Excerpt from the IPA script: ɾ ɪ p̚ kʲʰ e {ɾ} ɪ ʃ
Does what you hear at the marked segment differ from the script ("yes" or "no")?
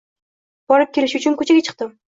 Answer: yes